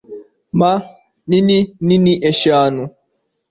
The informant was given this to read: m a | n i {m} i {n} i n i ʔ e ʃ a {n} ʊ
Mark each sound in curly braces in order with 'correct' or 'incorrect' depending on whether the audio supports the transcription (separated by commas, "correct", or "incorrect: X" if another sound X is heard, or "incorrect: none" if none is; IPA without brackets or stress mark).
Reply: incorrect: n, correct, correct